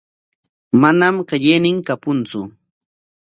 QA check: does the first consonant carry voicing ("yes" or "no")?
yes